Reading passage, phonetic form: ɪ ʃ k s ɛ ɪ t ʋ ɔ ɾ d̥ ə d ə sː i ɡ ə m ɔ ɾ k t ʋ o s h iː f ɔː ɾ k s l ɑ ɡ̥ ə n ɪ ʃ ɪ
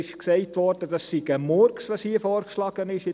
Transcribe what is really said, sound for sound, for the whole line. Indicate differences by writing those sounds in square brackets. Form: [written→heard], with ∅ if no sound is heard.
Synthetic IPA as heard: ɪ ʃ k s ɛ ɪ t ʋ ɔ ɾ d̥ ə d [ə→ɑ] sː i ɡ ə m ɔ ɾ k [t→s] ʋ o s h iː f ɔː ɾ k [s→ʃ] l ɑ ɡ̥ ə n ɪ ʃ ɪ

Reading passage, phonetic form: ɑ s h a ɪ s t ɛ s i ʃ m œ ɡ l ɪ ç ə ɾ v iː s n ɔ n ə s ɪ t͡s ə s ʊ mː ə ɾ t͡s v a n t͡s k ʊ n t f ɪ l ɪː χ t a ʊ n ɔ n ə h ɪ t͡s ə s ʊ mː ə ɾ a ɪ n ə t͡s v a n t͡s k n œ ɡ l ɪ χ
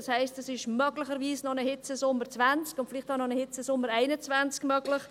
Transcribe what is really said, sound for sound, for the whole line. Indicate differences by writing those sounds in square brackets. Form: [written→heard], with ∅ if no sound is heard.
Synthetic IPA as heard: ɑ s h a ɪ s t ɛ s [i→ɪ] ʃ m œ ɡ l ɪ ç ə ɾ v iː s n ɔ n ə [s→h] ɪ t͡s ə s ʊ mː ə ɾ t͡s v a n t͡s k ʊ n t f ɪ l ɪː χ t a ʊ n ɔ n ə h ɪ t͡s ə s ʊ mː ə ɾ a ɪ n ə t͡s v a n t͡s k [n→m] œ ɡ l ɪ χ

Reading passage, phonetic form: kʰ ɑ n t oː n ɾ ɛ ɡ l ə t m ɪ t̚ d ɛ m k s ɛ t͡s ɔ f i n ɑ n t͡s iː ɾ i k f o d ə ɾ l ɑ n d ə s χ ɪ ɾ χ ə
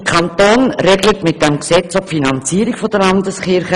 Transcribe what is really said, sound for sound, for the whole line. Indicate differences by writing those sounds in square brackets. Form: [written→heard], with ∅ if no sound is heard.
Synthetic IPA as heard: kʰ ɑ n t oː n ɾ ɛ ɡ l ə t m ɪ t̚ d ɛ m k s ɛ t͡s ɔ f i n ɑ n t͡s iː ɾ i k f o d ə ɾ l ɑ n d ə s χ ɪ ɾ χ ə

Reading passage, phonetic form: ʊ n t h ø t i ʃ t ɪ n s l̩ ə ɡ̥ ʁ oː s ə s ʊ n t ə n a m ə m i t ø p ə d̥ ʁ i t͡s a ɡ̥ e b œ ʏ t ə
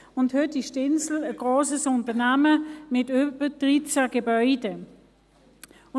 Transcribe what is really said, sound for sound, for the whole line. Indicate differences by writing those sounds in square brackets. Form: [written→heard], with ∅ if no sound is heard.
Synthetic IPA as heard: ʊ n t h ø t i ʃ t ɪ n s l̩ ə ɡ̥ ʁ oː s ə s ʊ n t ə n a m ə m [i→ɪ] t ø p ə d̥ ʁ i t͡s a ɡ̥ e b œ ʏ [t→d] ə

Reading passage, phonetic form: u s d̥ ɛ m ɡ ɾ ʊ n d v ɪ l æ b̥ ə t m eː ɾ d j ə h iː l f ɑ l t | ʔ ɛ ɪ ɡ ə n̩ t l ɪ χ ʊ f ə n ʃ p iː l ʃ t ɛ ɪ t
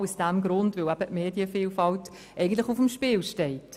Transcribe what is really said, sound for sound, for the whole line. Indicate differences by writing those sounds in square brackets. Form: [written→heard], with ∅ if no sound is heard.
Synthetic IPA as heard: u s d̥ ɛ m ɡ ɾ ʊ n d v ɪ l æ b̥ ə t m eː [ɾ→∅] d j ə [h→f] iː l f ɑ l t | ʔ ɛ ɪ ɡ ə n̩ t l ɪ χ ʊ f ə [n→m] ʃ p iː l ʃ t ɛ ɪ t

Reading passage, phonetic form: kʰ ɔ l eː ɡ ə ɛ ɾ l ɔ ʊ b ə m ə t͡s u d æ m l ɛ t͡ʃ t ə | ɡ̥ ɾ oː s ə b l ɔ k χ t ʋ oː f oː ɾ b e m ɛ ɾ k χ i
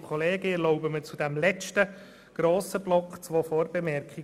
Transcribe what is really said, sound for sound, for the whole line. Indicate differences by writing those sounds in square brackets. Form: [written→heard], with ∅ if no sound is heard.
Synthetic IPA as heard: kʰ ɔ l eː ɡ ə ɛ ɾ l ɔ ʊ b ə m ə t͡s u d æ m l ɛ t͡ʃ t ə | ɡ̥ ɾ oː s ə b l ɔ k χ [t→t͡s] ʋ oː f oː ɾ b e m ɛ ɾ k χ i

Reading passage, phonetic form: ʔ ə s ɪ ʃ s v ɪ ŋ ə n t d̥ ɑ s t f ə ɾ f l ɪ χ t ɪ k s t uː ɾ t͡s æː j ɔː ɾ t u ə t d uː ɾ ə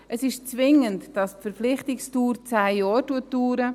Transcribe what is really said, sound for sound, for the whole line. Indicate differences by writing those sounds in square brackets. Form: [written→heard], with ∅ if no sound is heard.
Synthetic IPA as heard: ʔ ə s ɪ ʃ [s→t͡s] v ɪ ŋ ə n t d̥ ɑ s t f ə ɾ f l ɪ χ t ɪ k s t uː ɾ t͡s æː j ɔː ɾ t u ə t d uː ɾ ə

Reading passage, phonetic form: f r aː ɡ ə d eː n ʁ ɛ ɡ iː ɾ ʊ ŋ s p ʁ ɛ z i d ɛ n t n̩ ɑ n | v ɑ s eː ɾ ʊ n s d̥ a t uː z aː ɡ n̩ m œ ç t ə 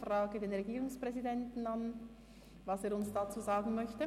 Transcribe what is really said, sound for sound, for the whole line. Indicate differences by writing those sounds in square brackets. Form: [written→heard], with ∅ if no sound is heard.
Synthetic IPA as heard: f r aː ɡ ə d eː n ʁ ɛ ɡ iː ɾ ʊ ŋ s p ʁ ɛ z i d ɛ n t n̩ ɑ n | v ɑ s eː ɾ ʊ n s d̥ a [t→t͡s] uː z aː ɡ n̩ m œ ç t ə

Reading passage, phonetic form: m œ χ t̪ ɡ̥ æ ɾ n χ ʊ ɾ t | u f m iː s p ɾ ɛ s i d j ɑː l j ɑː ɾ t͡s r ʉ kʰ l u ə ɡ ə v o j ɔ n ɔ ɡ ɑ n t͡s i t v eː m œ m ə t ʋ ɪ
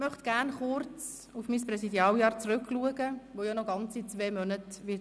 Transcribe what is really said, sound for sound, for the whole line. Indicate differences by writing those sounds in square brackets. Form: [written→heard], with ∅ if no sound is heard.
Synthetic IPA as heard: m œ χ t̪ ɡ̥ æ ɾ n χ ʊ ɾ [t→t͡s] | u f m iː s p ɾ ɛ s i d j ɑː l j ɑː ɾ t͡s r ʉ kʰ l u ə ɡ ə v o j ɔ n ɔ ɡ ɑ n t͡s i [t→t͡s] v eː m œ [m→n] ə t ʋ ɪ

